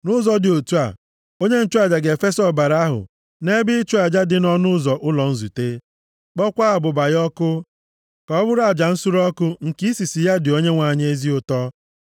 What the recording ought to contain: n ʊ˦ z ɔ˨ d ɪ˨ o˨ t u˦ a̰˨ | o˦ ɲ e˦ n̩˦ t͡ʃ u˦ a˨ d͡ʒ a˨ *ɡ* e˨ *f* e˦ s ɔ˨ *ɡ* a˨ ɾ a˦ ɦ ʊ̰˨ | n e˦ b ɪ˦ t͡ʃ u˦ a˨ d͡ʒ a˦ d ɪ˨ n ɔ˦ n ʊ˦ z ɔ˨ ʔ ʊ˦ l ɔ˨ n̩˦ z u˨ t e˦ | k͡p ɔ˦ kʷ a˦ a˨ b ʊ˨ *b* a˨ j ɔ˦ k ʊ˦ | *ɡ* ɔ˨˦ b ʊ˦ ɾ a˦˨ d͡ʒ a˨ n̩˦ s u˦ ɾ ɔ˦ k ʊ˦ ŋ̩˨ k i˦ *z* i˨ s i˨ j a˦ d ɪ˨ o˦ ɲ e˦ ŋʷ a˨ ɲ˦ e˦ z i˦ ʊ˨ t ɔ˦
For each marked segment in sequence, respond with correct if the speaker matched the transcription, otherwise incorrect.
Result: correct, correct, incorrect, correct, incorrect, incorrect

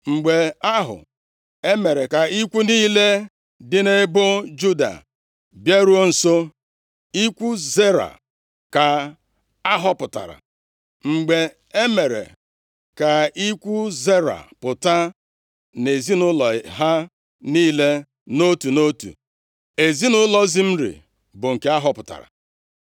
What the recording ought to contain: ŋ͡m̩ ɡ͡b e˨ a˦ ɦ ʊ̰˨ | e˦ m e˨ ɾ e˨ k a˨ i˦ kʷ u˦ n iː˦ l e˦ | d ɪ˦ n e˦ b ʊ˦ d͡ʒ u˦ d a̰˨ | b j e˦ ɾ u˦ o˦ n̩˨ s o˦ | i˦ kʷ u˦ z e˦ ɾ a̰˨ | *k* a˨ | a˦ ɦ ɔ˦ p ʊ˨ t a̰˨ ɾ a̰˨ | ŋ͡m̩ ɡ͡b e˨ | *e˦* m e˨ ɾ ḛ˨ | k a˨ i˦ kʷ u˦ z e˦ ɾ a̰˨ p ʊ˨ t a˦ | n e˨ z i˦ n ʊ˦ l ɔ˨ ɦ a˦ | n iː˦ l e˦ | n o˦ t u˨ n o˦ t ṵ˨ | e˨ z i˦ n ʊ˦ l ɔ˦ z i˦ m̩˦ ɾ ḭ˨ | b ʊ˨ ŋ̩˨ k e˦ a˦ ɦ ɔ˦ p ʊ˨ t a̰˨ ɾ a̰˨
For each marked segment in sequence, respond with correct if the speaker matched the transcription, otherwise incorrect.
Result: correct, correct

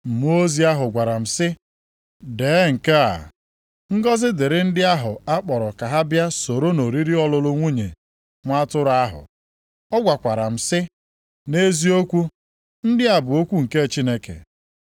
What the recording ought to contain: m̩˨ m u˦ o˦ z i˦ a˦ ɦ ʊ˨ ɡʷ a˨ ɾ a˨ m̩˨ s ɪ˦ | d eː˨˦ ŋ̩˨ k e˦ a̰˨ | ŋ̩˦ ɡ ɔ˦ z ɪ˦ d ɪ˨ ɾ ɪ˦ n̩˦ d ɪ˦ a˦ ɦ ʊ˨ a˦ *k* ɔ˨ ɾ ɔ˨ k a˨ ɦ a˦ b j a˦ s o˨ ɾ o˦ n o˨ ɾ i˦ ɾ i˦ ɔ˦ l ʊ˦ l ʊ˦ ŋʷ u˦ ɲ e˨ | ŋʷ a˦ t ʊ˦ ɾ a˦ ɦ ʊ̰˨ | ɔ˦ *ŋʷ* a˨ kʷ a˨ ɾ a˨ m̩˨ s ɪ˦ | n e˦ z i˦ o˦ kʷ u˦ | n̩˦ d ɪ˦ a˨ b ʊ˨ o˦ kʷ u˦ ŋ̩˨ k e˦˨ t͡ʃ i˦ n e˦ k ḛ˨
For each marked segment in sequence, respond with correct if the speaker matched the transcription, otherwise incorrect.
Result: incorrect, incorrect

